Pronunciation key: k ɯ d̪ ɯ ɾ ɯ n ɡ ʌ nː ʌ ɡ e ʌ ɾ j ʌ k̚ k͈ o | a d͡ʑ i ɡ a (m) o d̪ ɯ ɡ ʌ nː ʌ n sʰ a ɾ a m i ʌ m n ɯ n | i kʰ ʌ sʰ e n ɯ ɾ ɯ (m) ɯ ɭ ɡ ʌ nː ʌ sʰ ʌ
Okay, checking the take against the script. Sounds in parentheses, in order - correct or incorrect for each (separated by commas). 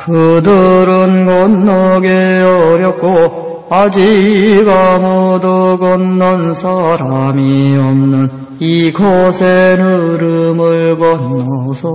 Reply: correct, correct